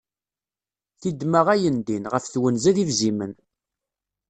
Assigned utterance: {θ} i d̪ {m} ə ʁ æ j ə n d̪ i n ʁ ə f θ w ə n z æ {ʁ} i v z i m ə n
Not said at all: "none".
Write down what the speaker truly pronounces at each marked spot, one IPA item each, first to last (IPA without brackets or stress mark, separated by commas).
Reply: θ, m, ð